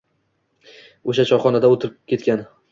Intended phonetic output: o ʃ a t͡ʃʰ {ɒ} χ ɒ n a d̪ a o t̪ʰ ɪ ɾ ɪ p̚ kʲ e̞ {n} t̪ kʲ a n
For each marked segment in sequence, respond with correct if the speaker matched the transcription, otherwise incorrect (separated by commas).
correct, incorrect